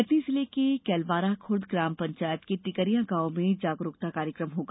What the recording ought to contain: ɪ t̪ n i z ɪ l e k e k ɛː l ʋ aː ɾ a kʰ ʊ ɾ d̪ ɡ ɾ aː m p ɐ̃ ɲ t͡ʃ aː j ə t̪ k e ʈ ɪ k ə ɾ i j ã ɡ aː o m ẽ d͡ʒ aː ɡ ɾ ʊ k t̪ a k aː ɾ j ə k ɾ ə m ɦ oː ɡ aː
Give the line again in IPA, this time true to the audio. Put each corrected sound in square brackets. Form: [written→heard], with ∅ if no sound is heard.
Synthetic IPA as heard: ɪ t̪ n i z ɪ l e k e k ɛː l ʋ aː ɾ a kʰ ʊ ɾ d̪ ɡ ɾ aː m p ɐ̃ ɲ t͡ʃ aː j ə t̪ k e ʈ ɪ k ə ɾ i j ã ɡ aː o m ẽ d͡ʒ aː ɡ ɾ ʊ k t̪ a k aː ɾ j ə k ɾ ə m ɦ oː ɡ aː